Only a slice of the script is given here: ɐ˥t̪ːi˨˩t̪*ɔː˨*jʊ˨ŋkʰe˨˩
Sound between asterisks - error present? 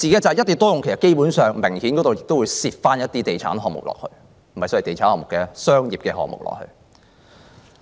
yes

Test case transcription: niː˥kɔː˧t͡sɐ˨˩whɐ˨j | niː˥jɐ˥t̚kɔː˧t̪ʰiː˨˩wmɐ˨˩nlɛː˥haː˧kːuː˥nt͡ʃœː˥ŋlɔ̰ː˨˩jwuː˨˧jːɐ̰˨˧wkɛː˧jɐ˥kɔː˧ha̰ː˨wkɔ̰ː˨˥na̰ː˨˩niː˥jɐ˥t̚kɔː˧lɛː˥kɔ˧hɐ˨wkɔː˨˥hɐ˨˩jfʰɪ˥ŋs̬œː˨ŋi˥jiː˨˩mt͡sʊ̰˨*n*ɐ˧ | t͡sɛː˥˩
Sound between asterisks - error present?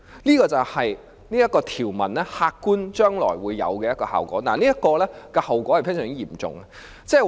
yes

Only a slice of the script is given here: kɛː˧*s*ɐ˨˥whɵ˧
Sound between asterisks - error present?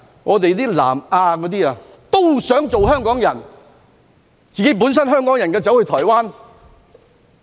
yes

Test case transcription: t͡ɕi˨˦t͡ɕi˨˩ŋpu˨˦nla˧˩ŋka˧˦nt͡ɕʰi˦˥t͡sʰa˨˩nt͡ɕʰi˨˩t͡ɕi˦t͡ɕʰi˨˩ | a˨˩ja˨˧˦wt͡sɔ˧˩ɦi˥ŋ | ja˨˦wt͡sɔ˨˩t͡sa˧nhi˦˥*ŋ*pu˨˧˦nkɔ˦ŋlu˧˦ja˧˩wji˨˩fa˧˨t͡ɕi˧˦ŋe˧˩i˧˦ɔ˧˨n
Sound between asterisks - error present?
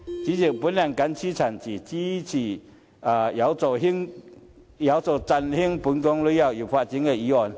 no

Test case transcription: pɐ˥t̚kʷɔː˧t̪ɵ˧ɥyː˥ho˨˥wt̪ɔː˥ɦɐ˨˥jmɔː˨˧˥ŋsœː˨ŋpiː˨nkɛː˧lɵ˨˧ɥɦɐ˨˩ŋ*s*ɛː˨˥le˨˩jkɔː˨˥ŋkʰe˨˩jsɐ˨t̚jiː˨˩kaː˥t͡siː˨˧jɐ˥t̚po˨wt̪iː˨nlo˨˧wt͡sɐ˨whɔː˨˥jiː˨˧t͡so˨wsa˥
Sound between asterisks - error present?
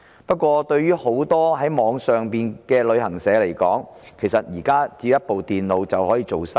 no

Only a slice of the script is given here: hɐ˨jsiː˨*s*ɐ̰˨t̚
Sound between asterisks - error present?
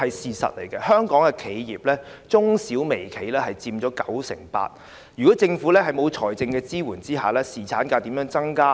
no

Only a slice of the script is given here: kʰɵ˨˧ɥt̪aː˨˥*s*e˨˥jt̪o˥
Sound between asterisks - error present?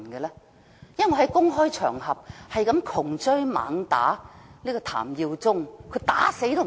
no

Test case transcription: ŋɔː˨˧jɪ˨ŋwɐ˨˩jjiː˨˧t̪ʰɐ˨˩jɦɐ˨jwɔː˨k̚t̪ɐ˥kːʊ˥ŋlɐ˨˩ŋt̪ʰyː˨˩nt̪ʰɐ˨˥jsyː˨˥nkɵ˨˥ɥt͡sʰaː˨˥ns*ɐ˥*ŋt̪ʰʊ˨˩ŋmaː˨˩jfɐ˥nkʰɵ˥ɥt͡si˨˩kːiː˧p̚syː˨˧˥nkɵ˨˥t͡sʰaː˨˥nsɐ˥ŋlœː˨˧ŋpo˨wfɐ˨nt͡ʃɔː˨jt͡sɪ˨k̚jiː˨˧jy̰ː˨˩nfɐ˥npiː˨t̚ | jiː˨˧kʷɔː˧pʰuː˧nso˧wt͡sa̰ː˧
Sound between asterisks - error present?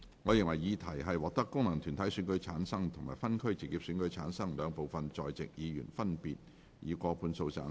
no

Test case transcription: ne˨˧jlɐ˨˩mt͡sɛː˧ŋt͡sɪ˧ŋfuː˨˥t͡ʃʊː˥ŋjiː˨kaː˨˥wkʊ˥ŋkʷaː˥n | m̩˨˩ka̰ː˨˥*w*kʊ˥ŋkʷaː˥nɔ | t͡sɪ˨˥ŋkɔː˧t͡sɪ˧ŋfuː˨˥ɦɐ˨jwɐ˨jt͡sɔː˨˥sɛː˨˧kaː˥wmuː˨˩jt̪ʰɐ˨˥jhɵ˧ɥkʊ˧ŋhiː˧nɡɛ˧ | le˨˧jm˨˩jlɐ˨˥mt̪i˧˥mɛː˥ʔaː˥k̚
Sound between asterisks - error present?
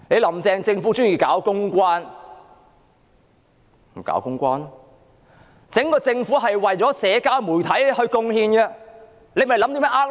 no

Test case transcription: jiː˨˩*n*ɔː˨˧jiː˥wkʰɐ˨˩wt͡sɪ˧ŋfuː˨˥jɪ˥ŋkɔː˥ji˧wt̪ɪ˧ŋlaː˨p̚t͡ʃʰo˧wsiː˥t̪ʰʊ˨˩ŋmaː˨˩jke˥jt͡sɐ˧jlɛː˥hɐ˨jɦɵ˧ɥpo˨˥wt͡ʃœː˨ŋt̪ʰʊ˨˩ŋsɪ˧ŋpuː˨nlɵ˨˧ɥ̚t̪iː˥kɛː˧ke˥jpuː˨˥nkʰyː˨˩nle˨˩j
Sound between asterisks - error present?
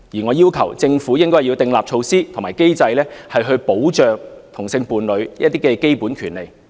yes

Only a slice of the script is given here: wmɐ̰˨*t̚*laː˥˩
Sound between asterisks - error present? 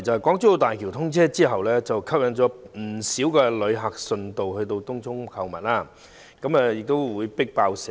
no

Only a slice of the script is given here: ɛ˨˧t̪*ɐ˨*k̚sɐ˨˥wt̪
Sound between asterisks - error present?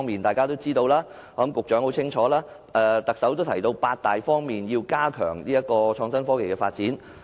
no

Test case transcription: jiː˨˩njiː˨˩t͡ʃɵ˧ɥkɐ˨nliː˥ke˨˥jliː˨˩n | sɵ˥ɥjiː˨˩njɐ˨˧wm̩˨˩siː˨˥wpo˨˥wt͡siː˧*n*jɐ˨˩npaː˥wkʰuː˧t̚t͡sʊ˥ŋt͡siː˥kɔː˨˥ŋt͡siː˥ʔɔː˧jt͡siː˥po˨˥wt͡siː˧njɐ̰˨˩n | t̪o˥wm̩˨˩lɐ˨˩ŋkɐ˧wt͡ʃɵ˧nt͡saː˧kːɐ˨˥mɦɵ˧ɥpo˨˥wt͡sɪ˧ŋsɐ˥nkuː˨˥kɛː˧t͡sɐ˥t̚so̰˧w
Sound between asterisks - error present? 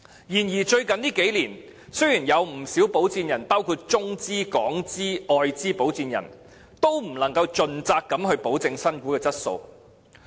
no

